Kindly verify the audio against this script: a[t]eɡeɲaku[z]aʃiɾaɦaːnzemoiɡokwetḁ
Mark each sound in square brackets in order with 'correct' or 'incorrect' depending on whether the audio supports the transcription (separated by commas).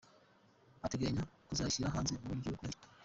correct, correct